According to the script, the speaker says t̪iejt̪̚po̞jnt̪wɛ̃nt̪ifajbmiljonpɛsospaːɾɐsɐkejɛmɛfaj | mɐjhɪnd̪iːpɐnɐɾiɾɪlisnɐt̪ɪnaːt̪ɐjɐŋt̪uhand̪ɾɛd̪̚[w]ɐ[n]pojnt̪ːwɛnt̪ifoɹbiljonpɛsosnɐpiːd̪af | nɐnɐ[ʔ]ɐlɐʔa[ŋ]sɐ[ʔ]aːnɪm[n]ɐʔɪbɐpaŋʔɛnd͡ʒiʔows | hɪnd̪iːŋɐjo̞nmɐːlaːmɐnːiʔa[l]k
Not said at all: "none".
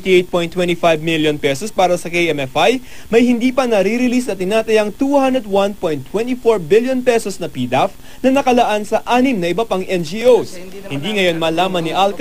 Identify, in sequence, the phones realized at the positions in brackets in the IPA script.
w, n, k, n, ʔ, n, l

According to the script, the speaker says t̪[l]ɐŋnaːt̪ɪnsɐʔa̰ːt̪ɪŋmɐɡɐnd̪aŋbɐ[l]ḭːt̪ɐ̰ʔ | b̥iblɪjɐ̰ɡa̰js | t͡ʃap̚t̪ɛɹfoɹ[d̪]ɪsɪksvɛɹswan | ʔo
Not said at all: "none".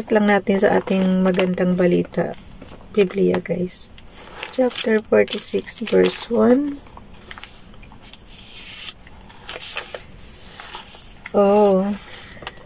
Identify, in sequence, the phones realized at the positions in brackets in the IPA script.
l, l, t̪

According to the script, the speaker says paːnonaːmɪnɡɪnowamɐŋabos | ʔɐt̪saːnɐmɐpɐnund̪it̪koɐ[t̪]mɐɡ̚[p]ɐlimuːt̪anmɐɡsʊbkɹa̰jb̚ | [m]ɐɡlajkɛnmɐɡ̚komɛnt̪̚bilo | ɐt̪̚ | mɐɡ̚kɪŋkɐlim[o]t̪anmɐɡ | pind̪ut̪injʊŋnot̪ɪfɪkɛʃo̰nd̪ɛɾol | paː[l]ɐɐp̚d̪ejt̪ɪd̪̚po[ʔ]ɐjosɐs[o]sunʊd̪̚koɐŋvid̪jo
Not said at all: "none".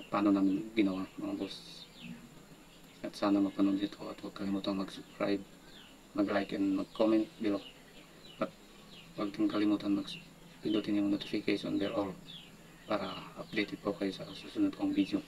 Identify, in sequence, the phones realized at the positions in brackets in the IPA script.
t̪, k, m, u, ɾ, k, u

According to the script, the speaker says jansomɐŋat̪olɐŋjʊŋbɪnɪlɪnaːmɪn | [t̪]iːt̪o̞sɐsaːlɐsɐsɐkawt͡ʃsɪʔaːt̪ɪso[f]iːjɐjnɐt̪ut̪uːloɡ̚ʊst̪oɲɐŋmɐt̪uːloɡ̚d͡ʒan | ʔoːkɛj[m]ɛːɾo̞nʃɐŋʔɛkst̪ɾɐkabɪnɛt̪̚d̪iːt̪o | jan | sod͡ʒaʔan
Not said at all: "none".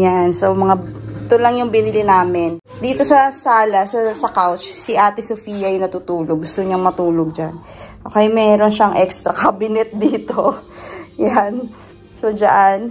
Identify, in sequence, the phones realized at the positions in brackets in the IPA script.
d̪, f, m

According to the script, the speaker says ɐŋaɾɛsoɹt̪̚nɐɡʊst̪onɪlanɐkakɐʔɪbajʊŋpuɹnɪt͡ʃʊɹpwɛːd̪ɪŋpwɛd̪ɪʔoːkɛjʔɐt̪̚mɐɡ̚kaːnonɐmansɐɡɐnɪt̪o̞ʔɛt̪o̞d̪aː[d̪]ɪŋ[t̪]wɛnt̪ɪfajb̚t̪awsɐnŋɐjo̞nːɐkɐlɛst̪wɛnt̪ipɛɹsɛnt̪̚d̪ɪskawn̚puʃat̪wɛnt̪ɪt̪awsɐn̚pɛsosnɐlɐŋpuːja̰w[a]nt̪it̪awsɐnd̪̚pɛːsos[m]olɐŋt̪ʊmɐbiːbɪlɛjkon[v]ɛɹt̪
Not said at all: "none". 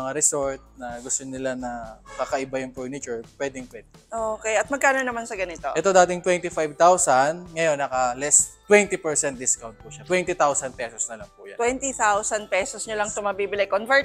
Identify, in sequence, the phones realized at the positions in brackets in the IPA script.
t̪, t̪, ɛ, ɲ, v

